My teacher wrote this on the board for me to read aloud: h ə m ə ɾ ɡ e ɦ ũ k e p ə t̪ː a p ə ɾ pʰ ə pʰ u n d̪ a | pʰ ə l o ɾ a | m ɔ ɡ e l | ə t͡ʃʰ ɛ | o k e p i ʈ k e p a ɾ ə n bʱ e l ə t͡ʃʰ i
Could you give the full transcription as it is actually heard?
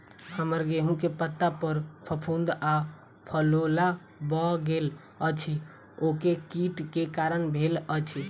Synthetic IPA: h ə m ə ɾ ɡ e ɦ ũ k e p ə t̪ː a p ə ɾ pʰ ə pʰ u n d̪ a | pʰ ə l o l a | b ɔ ɡ e l | ə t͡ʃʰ i | o k e k i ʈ k e k a ɾ ə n bʱ e l ə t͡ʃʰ i